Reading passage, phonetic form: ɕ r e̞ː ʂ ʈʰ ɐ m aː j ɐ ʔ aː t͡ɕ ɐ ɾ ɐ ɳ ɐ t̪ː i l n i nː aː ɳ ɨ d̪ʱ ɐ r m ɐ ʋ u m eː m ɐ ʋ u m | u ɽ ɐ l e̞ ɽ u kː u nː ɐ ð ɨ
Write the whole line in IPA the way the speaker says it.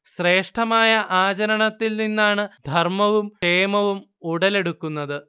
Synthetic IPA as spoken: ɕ r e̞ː ʂ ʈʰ ɐ m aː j ɐ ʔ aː t͡ɕ ɐ ɾ ɐ ɳ ɐ t̪ː i l n i nː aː ɳ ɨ d̪ʱ ɐ r m ɐ ʋ u m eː m ɐ ʋ u m | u ɽ ɐ l e̞ ɽ u kː u nː ɐ ð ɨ